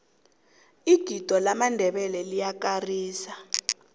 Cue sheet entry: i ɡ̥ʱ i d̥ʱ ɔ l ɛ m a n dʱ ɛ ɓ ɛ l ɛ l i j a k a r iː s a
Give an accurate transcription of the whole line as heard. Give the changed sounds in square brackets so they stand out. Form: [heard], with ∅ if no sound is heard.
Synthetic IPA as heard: i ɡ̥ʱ i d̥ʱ ɔ l [a] m a n dʱ ɛ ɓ ɛ l ɛ l i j a k a r iː s a